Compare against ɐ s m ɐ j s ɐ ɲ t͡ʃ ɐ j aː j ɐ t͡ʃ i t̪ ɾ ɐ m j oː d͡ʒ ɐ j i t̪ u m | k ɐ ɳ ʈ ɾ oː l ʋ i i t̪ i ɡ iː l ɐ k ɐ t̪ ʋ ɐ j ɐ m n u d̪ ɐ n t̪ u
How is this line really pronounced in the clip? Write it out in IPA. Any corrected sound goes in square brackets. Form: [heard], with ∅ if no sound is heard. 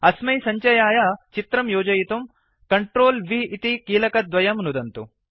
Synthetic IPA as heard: ɐ s m ɐ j s ɐ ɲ t͡ʃ ɐ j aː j ɐ t͡ʃ i t̪ ɾ ɐ m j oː d͡ʒ ɐ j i t̪ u m | k ɐ ɳ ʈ ɾ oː l ʋ i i t̪ i [k] iː l ɐ k ɐ [d̪] ʋ ɐ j ɐ m n u d̪ ɐ n t̪ u